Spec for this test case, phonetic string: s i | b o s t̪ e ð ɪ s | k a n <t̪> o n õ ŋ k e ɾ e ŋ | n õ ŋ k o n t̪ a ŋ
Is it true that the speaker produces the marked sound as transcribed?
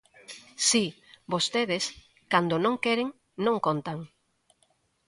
no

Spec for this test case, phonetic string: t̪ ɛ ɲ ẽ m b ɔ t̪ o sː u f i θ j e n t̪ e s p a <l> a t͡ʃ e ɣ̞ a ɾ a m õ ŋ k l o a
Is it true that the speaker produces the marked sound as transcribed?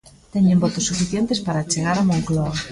no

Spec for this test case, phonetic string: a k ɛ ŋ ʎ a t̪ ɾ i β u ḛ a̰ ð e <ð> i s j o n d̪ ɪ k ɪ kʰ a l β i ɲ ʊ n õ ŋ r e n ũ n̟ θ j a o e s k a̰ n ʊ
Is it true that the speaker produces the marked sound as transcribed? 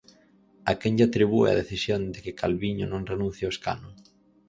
no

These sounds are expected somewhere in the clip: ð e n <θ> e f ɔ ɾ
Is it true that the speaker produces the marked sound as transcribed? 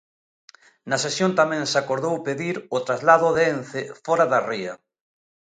yes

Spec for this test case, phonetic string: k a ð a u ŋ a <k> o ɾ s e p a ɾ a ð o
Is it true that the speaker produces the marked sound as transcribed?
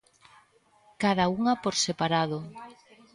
no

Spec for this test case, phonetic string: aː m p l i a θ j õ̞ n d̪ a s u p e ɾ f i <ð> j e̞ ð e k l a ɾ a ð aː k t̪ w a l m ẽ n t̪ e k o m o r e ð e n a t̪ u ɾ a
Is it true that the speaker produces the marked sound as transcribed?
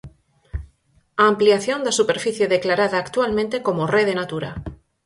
no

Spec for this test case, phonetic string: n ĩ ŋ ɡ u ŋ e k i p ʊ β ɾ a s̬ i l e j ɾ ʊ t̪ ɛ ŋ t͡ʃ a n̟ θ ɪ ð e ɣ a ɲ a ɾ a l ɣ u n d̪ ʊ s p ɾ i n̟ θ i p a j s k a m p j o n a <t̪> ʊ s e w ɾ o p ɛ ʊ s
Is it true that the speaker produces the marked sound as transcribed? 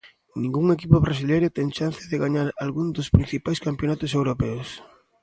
yes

